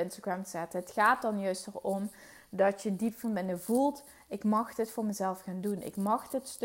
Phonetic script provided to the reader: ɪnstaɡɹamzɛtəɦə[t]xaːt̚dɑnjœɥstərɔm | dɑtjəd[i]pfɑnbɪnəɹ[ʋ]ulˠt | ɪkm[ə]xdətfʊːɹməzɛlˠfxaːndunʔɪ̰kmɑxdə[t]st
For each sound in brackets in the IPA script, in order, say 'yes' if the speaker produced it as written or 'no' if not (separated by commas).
yes, yes, no, no, yes